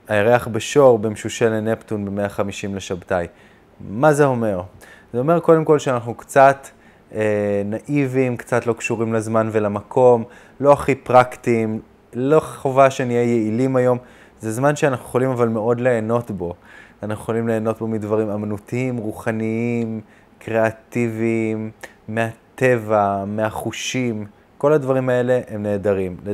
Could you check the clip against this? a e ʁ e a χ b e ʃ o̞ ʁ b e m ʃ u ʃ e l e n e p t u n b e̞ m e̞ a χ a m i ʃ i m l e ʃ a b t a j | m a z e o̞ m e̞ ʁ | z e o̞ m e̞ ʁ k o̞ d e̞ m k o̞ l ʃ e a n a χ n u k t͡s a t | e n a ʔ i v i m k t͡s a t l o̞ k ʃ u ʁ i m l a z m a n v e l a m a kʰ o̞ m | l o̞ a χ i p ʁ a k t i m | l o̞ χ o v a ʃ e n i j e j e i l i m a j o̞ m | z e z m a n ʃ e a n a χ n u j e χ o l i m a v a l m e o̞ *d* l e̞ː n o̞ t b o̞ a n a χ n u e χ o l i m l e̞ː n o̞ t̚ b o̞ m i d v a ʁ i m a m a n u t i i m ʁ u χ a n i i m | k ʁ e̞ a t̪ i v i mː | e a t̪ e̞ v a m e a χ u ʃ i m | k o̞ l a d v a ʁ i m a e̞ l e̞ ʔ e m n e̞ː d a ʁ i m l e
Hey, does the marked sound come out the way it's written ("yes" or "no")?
yes